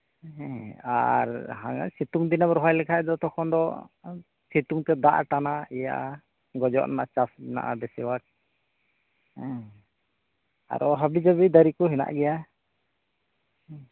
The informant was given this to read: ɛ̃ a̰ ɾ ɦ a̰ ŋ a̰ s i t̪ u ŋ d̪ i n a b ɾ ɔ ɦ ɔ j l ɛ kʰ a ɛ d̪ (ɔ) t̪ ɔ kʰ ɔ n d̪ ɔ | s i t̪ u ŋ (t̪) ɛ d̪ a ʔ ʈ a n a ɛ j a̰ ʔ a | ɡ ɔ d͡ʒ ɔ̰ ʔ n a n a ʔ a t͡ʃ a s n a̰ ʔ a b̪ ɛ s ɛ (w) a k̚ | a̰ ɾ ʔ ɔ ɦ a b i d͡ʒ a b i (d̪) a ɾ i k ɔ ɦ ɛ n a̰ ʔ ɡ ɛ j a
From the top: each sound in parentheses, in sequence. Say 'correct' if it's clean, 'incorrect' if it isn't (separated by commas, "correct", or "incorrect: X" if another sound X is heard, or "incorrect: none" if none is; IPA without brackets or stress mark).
correct, correct, correct, correct